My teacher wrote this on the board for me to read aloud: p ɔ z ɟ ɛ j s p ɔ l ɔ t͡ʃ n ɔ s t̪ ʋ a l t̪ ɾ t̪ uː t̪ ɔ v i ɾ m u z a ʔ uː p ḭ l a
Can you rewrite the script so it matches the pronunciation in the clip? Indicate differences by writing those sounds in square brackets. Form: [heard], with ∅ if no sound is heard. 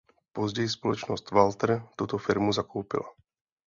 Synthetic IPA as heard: p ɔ z ɟ ɛ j s p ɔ l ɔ t͡ʃ n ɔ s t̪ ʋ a l t̪ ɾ t̪ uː t̪ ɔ [f] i ɾ m u z a [k] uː p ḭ l a